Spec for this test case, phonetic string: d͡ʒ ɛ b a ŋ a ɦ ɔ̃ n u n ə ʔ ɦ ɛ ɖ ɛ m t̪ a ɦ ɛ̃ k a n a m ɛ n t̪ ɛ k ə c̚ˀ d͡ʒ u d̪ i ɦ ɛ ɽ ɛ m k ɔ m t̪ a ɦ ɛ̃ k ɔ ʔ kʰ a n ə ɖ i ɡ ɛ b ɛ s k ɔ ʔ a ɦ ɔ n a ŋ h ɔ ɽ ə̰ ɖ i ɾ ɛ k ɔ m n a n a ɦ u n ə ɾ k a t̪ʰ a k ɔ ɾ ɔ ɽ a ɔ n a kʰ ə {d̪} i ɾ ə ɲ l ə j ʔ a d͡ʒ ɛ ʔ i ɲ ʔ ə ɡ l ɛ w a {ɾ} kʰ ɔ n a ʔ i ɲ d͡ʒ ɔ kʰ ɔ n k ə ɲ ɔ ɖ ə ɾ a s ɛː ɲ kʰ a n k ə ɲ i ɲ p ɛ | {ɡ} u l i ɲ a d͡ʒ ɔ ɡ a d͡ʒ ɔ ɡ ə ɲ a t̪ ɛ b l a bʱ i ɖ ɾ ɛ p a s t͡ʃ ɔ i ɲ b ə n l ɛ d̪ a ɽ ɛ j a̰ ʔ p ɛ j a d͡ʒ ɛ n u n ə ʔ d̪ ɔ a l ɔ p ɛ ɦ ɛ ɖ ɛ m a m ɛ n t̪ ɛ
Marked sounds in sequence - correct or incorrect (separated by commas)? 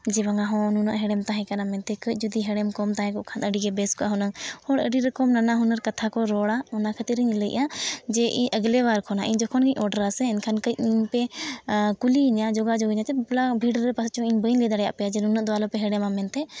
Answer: incorrect, correct, incorrect